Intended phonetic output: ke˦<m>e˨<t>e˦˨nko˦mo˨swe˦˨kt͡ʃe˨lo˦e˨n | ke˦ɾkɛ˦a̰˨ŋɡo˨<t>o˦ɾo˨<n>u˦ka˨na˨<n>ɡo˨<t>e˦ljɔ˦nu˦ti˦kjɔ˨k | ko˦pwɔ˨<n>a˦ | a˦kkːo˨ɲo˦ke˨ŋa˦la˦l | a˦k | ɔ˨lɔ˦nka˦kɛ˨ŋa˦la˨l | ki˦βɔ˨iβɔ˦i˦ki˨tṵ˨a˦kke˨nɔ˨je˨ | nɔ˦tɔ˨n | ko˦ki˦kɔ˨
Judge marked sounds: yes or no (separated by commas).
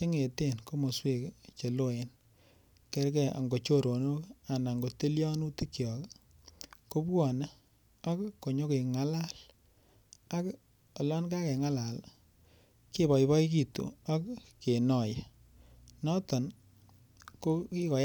no, yes, no, yes, no, yes, yes